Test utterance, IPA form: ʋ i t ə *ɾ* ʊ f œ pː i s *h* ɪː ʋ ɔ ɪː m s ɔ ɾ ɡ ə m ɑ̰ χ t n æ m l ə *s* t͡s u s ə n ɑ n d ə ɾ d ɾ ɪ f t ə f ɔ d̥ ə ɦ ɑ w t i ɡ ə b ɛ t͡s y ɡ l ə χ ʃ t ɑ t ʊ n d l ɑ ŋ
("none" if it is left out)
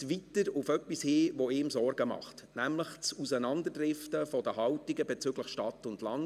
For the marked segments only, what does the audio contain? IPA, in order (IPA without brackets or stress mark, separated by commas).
ɾ, h, χ